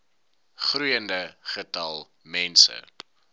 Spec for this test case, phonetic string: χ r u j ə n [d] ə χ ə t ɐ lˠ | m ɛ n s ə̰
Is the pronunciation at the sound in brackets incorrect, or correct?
correct